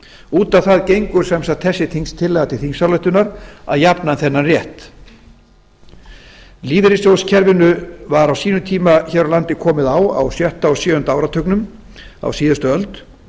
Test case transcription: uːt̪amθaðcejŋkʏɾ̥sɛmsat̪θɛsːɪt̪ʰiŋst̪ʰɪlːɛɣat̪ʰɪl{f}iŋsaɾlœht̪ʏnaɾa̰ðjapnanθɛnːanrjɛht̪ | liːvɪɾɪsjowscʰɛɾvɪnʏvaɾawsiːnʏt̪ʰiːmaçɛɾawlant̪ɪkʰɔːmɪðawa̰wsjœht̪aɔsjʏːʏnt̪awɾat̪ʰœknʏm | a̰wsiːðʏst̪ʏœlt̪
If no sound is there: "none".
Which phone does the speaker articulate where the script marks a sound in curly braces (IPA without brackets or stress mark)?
θ